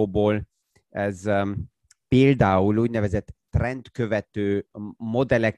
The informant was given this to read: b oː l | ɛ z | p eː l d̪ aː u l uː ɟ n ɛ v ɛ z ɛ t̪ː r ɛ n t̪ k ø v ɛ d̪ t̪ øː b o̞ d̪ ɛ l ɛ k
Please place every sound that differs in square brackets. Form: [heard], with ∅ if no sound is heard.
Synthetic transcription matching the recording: b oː l | ɛ z | p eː l d̪ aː u l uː ɟ n ɛ v ɛ z ɛ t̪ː r ɛ n t̪ k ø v ɛ [∅] t̪ øː [m] o̞ d̪ ɛ l ɛ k